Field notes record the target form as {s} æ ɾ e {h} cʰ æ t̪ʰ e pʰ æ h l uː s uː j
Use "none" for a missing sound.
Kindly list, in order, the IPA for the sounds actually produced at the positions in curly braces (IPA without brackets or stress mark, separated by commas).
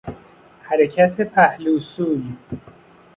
h, none